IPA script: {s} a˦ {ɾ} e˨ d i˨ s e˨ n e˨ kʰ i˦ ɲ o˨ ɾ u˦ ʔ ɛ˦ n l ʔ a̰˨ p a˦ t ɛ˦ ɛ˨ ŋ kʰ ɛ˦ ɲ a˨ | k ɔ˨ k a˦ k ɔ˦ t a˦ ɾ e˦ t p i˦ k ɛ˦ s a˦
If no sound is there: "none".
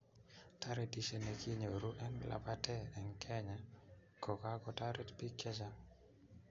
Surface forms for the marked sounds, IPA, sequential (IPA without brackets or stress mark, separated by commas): t, ɾ